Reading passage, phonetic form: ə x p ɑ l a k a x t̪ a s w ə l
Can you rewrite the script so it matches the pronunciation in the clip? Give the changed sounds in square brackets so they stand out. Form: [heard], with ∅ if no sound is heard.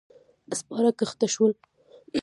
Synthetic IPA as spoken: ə [s] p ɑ [ɾ] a k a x t̪ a [ʃ] w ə l